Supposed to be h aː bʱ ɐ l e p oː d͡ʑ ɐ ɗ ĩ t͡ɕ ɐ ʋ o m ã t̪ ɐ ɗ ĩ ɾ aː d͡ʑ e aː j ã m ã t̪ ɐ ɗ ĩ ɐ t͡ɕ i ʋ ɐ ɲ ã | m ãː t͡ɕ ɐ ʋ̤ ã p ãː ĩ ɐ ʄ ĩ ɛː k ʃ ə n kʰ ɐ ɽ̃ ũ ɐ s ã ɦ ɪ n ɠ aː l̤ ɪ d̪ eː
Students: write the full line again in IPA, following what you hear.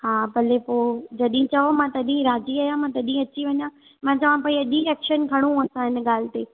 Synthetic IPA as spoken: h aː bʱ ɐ l e p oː d͡ʑ ɐ ɗ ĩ t͡ɕ ɐ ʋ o m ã t̪ ɐ ɗ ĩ ɾ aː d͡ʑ i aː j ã m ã t̪ ɐ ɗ ĩ ɐ t͡ɕ i ʋ ɐ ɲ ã | m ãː t͡ɕ ɐ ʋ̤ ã p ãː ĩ ɐ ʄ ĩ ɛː k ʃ ə n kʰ ɐ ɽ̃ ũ ɐ s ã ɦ ɪ n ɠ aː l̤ ɪ t̪ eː